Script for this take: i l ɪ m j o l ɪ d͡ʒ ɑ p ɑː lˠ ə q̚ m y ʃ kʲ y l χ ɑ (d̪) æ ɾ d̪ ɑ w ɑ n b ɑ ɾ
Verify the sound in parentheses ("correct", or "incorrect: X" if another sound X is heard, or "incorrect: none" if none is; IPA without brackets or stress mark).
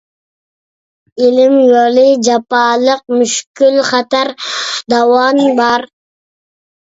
incorrect: t̪